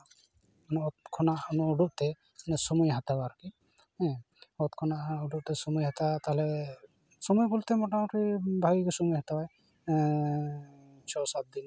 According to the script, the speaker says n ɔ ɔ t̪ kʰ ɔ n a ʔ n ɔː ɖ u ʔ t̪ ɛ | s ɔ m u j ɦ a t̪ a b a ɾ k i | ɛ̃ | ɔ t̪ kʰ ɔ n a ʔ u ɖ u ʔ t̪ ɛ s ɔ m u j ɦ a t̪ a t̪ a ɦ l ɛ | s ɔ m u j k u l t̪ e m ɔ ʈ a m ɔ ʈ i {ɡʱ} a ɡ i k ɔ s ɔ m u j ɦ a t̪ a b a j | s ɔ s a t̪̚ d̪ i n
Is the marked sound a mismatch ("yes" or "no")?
yes